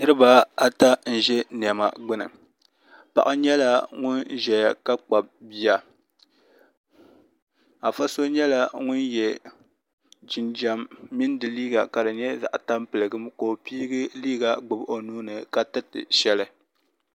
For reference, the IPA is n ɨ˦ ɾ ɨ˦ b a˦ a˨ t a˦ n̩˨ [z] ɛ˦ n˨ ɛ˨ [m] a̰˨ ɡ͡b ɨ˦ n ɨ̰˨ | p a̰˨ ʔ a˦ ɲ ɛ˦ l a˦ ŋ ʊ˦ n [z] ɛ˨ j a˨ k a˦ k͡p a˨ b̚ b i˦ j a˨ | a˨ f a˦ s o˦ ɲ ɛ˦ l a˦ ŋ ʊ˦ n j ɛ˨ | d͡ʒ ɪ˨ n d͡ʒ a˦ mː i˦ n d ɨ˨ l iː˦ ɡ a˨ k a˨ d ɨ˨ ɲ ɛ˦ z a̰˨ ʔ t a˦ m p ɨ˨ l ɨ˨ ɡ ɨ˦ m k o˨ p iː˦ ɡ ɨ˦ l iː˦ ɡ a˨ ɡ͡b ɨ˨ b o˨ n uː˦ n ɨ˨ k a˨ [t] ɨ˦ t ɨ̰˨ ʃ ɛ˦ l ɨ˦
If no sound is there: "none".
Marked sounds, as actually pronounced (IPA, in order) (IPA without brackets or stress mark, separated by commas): ʒ, m, ʒ, t